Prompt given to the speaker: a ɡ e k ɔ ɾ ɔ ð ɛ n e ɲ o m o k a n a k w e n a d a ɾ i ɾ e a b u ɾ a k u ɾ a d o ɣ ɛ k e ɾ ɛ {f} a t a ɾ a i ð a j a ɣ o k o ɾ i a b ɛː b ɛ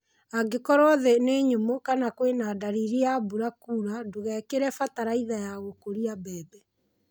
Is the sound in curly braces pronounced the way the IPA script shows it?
yes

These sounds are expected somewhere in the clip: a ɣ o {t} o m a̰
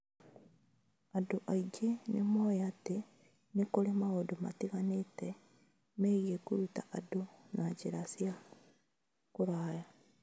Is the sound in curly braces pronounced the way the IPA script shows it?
no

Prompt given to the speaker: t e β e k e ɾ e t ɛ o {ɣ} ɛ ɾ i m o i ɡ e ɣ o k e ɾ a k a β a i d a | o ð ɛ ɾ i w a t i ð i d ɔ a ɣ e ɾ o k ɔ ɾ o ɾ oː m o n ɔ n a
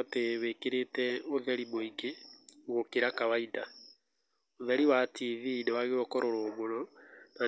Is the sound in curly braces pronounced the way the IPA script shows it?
no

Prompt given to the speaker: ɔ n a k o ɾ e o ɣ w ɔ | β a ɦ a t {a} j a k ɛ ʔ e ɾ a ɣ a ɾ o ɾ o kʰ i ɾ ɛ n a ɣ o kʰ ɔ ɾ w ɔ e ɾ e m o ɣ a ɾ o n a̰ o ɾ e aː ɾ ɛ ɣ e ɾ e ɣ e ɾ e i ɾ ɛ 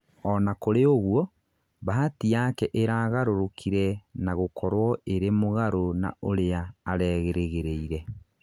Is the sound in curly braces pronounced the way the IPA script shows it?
no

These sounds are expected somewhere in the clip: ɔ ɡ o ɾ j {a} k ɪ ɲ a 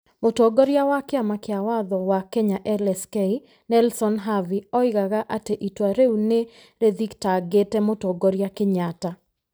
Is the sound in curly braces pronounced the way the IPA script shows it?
yes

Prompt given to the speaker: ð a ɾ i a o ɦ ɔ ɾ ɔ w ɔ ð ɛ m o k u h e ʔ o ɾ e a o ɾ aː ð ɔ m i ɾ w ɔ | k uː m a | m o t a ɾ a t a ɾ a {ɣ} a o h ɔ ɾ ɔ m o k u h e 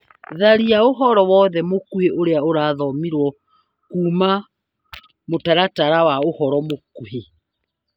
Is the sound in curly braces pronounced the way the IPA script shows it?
no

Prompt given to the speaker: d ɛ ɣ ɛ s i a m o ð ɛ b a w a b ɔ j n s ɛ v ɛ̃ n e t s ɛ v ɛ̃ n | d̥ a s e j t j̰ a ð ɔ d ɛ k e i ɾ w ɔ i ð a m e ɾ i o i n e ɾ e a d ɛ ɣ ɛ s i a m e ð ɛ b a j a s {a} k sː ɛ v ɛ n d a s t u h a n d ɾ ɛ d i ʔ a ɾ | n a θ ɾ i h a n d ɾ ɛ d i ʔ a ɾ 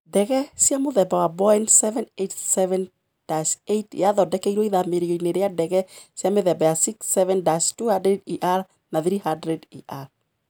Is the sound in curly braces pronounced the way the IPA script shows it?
no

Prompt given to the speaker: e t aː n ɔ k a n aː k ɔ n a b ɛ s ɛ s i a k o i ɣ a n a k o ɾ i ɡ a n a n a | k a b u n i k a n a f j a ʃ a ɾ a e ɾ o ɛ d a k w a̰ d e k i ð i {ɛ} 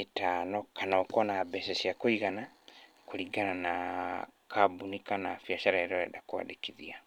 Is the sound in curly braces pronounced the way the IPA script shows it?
no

